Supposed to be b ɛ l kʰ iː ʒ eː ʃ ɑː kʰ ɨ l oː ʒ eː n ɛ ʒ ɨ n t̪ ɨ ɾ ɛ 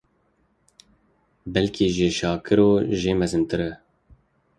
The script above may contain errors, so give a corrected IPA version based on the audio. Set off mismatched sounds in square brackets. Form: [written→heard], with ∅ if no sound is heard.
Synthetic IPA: b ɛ l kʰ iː ʒ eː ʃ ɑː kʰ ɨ [l→ɾ] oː ʒ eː [n→m] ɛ [ʒ→z] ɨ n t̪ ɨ ɾ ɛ